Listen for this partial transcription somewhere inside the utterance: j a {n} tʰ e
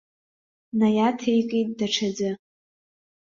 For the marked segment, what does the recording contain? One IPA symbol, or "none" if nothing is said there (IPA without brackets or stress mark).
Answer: none